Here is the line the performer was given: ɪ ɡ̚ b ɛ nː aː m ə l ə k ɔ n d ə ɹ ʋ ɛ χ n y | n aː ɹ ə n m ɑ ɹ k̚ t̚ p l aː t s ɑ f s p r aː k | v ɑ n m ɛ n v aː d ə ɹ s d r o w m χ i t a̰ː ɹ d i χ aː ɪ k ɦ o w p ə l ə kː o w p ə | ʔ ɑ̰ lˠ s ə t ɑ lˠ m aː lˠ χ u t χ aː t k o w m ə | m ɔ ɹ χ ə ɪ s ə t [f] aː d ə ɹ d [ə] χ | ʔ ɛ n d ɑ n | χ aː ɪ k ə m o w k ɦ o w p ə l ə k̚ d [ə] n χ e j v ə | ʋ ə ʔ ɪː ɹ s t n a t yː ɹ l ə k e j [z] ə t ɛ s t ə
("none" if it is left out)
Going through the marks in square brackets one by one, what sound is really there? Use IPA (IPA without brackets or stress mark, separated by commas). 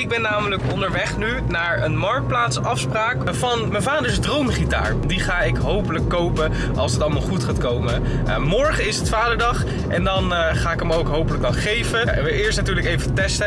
f, ɑ, ɑ, v